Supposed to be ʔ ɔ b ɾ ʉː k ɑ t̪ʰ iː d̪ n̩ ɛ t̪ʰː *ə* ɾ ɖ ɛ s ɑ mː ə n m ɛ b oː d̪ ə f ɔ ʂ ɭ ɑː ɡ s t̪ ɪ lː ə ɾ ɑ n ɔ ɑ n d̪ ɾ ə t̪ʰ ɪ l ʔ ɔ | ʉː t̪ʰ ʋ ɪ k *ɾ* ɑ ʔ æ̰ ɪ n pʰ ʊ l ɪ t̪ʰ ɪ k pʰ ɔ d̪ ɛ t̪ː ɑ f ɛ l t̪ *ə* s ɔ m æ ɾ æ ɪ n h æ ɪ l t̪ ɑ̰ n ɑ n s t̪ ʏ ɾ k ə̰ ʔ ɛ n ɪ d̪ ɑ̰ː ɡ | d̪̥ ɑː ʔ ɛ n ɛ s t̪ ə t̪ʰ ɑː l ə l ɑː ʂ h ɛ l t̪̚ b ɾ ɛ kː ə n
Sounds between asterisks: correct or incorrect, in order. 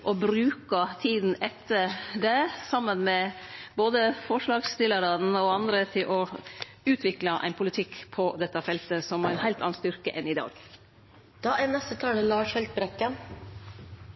correct, incorrect: l, correct

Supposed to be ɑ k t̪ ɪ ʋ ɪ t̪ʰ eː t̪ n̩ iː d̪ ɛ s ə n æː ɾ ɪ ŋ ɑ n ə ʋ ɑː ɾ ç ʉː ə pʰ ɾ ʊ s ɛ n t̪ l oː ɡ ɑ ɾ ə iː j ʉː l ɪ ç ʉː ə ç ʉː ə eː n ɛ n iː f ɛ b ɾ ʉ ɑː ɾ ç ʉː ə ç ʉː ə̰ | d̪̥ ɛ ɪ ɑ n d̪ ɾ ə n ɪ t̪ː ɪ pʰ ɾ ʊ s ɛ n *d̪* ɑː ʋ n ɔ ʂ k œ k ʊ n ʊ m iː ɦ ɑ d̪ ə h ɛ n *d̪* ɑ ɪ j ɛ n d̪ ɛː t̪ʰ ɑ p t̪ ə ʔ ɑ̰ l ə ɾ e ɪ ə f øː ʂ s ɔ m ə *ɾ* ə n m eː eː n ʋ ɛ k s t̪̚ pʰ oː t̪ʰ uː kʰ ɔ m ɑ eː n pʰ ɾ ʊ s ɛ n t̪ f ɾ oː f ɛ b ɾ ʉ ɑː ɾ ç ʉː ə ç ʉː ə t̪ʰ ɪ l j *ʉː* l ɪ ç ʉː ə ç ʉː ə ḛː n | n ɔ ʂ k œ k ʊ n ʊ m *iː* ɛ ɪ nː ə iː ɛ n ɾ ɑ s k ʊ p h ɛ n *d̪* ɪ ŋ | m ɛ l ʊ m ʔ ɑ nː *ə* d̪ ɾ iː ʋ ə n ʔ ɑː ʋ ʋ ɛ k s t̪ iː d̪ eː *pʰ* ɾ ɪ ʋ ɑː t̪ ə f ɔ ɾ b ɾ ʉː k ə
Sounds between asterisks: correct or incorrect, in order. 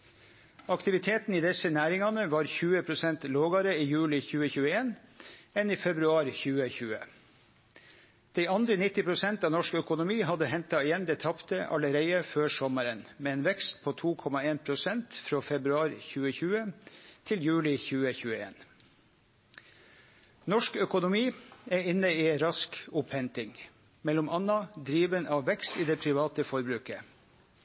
incorrect: t̪, incorrect: t̪, correct, correct, correct, incorrect: t̪, incorrect: ɑ, correct

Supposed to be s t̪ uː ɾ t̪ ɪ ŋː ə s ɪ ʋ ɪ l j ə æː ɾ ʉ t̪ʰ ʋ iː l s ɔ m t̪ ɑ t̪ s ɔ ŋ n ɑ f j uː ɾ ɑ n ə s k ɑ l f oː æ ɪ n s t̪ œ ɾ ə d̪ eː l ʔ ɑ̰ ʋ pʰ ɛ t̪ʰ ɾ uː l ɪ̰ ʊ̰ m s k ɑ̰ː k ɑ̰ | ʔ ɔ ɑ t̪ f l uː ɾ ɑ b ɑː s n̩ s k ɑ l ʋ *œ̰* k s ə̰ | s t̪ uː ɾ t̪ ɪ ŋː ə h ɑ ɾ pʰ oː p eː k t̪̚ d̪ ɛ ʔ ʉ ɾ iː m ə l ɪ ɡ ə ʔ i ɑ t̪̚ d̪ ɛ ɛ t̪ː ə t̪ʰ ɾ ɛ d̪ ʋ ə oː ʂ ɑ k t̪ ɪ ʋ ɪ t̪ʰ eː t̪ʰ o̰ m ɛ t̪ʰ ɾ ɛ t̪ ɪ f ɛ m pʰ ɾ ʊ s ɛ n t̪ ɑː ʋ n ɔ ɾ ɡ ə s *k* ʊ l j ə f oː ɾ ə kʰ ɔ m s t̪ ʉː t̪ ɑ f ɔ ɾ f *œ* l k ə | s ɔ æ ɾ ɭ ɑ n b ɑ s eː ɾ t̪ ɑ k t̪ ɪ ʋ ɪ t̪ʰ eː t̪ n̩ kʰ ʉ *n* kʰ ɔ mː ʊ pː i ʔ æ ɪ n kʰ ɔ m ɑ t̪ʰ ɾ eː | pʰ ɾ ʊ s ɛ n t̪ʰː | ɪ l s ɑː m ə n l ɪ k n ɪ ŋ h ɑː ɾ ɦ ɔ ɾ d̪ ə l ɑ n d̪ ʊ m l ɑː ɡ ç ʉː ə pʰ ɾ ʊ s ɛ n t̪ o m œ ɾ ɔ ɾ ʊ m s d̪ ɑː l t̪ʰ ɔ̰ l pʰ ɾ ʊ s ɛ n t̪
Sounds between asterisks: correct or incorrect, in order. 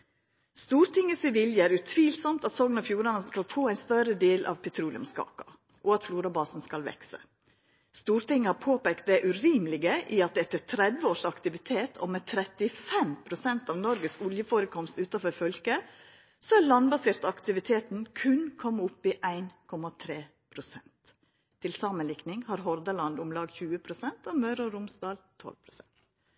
incorrect: ɛ̰, correct, correct, correct

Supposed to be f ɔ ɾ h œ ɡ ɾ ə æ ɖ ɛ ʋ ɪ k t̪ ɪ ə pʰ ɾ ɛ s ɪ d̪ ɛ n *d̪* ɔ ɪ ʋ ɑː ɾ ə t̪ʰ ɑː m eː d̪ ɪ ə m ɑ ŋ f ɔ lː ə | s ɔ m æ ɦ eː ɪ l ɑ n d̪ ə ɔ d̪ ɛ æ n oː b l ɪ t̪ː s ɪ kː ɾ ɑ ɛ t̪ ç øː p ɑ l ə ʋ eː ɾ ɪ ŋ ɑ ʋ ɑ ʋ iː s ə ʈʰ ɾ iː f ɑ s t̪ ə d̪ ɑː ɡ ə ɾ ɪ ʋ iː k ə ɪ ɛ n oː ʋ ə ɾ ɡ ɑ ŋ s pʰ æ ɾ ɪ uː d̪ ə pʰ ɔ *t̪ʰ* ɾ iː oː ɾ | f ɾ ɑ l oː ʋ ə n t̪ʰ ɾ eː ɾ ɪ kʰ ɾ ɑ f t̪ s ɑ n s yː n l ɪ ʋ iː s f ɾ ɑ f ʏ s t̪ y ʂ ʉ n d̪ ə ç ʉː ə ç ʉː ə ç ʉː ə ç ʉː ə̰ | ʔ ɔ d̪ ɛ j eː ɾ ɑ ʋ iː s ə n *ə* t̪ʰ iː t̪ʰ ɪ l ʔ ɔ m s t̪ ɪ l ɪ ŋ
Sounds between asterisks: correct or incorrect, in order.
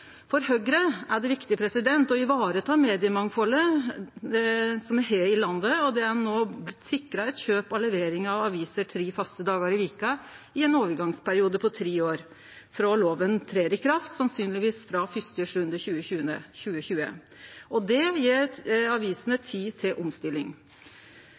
incorrect: t̪, correct, correct

